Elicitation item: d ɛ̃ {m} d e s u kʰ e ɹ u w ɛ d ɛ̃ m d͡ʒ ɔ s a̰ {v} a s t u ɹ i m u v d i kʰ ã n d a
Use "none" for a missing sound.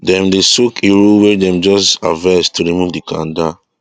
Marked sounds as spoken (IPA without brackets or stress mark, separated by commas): m, v